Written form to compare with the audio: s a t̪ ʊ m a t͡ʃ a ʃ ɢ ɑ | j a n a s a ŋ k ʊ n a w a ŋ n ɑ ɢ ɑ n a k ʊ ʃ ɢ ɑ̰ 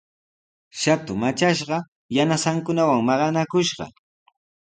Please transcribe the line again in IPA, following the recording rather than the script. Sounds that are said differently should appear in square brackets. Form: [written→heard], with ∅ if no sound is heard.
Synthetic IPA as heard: [s→ʃ] a t̪ ʊ m a t͡ʃ a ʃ ɢ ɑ | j a n a s a ŋ k ʊ n a w a ŋ [n→m] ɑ ɢ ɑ n a k ʊ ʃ ɢ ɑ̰